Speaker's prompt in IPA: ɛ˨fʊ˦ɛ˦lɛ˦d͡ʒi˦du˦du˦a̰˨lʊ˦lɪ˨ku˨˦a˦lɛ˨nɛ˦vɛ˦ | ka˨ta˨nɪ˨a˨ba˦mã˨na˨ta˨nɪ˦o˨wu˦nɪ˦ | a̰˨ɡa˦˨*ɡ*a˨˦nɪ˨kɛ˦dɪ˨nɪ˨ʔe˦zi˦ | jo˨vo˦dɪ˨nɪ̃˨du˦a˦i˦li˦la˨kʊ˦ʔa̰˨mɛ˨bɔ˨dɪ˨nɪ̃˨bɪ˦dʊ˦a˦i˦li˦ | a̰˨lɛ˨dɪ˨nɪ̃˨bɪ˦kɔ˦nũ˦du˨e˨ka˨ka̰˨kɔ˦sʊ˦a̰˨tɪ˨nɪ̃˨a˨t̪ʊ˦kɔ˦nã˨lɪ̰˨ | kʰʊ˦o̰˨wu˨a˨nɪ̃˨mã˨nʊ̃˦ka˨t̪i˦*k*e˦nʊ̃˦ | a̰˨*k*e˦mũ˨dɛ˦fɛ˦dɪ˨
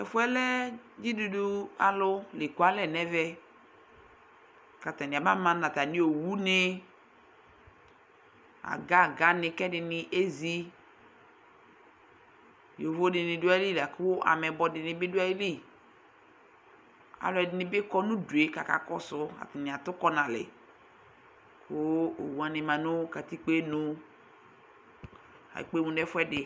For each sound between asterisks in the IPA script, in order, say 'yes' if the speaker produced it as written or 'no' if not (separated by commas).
yes, no, no